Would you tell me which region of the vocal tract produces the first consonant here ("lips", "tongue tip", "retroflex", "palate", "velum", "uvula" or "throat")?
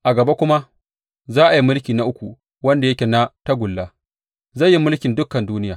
throat